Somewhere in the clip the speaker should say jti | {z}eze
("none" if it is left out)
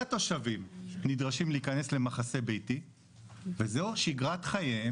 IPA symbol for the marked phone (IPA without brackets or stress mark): v